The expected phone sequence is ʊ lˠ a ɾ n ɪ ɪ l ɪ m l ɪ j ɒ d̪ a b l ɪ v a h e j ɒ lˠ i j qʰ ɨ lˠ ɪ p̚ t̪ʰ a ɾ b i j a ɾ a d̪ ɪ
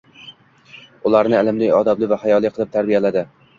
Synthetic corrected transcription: ʊ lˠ a ɾ n ɪ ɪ l ɪ m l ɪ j ɒ d̪ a b l ɪ v a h a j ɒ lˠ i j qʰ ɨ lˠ ɪ p̚ t̪ʰ a ɾ b i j a l a d̪ ɪ